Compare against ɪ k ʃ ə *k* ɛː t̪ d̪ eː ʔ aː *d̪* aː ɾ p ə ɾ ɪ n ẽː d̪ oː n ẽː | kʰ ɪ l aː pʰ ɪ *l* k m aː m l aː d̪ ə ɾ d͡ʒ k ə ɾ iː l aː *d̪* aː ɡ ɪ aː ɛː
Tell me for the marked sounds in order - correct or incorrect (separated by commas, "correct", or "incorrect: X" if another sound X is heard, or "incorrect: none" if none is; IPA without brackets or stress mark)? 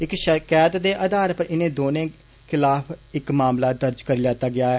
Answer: correct, correct, incorrect: none, incorrect: t̪